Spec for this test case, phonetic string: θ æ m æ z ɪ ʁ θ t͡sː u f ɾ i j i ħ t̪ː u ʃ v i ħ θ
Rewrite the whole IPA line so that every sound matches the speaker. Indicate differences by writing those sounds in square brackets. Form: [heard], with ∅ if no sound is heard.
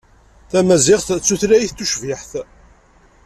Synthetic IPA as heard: θ æ m æ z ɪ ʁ θ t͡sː u [θ] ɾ [æ] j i [θ] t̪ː u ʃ v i ħ θ